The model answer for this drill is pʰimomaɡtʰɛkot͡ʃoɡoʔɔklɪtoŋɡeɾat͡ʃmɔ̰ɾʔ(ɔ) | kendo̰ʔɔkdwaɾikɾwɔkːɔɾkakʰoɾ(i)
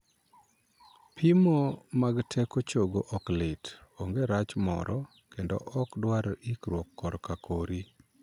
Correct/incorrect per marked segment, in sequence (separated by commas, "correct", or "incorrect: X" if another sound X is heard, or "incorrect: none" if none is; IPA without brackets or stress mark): correct, correct